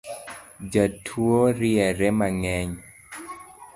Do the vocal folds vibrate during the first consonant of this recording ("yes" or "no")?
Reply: yes